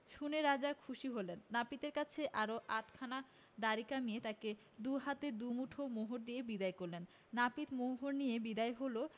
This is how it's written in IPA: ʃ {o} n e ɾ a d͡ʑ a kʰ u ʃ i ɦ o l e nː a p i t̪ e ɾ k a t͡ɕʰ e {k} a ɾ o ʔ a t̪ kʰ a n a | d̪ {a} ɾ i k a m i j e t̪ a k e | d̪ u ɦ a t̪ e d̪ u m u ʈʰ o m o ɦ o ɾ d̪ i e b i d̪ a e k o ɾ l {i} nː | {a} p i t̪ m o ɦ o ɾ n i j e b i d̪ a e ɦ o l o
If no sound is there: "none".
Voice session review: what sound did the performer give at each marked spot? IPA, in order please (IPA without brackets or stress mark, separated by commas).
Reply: u, ʔ, a, e, a